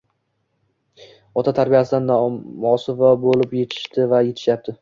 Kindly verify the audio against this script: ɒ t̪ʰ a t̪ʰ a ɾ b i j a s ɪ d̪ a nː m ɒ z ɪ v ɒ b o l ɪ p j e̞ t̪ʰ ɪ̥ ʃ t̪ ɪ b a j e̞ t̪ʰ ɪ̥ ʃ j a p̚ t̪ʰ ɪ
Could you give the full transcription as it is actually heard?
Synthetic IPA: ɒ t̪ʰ a t̪ʰ a ɾ b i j a s ɪ d̪ a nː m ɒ s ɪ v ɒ b o l ɪ p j e̞ t̪ʰ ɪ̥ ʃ t̪ ɪ v a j e̞ t̪ʰ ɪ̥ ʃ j a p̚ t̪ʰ ɪ